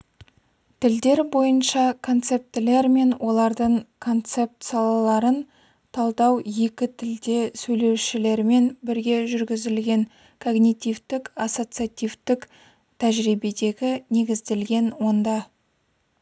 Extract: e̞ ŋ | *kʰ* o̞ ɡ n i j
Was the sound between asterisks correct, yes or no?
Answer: yes